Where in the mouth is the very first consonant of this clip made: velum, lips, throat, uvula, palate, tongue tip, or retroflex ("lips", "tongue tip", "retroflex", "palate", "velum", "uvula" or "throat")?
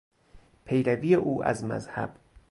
lips